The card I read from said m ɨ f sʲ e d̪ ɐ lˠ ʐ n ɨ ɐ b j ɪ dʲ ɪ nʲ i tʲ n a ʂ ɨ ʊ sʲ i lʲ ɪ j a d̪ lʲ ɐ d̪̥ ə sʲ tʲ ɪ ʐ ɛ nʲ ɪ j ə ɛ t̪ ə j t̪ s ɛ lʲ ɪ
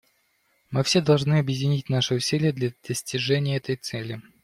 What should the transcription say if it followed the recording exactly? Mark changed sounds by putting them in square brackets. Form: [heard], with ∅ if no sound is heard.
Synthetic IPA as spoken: m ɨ f sʲ e d̪ ɐ lˠ ʐ n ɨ ɐ b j ɪ dʲ ɪ nʲ i tʲ n a ʂ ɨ ʊ sʲ i lʲ ɪ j [ə] d̪ lʲ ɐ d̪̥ ə sʲ tʲ ɪ ʐ ɛ nʲ ɪ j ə ɛ t̪ ə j t̪ s ɛ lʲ ɪ